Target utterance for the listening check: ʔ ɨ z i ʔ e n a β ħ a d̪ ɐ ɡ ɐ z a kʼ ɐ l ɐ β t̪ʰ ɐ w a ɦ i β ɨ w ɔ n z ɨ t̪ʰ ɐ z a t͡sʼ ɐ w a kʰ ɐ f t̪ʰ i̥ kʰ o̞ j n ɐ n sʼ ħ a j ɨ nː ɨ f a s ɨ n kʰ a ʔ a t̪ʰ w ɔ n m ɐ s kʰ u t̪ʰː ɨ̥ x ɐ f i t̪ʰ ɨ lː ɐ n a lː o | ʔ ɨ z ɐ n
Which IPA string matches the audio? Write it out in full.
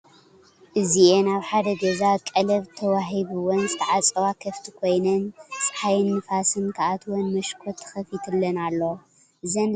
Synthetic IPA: ʔ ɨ z i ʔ e n a β ħ a d̪ ɐ ɡ ɐ z a kʼ ɐ l ɐ β t̪ʰ ɐ w a ɦ i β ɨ w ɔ n z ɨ t̪ʰ ɐ ʕ a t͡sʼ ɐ w a kʰ ɐ f t̪ʰ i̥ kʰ o̞ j n ɐ n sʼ ħ a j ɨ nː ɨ f a s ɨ n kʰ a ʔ a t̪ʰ w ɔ n m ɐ ʃ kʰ o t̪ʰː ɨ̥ x ɐ f i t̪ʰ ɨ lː ɐ n a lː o | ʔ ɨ z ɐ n